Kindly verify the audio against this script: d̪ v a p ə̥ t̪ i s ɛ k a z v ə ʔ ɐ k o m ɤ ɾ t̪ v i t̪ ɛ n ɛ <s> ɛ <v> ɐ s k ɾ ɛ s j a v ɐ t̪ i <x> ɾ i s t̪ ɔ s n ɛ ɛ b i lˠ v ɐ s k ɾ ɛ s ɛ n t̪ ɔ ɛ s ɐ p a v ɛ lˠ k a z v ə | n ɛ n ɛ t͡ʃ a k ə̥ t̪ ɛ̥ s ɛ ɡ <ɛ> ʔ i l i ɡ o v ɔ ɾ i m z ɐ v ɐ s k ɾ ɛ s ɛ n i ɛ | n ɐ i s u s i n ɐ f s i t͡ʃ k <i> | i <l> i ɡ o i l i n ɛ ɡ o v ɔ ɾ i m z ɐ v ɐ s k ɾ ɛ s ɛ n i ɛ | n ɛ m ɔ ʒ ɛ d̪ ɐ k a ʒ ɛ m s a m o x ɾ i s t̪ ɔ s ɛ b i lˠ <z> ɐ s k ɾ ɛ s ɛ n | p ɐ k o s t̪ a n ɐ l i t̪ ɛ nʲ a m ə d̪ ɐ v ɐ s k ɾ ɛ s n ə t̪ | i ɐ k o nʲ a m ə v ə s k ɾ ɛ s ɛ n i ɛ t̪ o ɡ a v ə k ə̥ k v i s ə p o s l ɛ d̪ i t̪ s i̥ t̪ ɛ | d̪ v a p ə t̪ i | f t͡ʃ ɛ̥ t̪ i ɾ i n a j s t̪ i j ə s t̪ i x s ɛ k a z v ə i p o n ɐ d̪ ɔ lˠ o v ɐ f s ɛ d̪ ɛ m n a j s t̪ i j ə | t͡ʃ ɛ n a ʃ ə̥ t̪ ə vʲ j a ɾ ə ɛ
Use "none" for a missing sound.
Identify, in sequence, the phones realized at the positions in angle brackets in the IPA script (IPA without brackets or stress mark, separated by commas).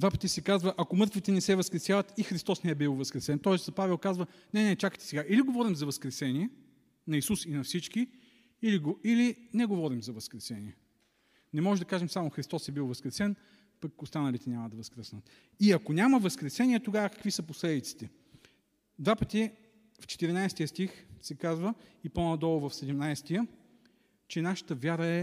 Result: s, v, x, a, i, l, v